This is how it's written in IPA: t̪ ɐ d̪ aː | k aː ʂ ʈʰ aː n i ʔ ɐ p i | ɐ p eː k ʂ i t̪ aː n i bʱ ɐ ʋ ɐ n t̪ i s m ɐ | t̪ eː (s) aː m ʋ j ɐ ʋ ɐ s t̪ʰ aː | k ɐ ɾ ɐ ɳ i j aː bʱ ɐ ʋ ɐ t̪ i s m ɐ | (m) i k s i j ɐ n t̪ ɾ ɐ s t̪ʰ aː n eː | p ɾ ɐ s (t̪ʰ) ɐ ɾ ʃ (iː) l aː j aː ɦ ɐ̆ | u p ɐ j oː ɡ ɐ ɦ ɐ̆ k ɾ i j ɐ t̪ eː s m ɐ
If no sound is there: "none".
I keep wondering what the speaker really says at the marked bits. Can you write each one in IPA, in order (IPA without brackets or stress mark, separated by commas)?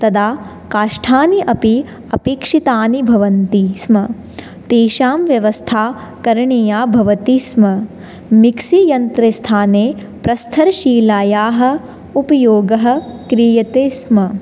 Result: ʃ, m, t̪ʰ, iː